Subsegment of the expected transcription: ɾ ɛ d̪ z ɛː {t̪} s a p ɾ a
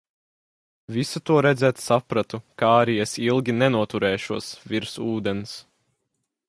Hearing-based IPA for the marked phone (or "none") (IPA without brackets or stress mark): t̪